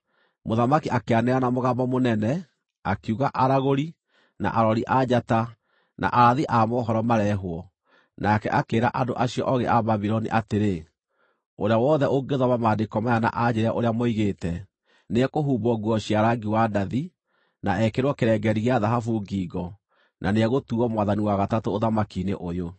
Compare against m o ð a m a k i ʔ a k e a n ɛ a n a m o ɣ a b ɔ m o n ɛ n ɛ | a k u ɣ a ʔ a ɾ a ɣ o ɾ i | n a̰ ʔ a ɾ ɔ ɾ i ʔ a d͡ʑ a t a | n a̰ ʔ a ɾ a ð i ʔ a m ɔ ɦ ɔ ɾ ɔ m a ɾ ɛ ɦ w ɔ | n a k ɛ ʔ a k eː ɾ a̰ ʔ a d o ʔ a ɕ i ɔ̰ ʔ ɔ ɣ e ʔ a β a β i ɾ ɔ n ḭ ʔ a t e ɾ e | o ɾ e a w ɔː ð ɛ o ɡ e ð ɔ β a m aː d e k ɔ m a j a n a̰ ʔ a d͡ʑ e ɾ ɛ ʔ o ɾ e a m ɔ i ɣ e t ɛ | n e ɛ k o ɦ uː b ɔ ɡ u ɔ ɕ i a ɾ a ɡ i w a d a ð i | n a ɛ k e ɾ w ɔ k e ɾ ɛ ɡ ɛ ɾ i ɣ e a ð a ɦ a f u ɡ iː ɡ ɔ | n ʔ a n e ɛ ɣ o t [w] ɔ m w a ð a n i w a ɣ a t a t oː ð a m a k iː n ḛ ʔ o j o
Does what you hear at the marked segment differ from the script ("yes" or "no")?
yes